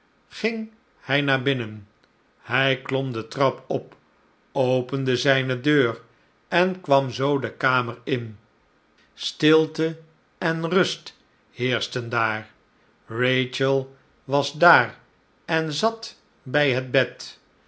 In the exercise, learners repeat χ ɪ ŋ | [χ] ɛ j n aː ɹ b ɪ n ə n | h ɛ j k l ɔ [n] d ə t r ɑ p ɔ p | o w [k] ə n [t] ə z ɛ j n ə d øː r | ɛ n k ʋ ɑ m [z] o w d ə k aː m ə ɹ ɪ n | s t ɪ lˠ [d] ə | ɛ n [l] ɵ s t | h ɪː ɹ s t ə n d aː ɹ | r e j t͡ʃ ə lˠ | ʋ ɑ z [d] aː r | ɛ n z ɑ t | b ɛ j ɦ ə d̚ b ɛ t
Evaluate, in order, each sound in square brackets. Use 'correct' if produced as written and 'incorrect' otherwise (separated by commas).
incorrect, incorrect, incorrect, incorrect, correct, incorrect, incorrect, correct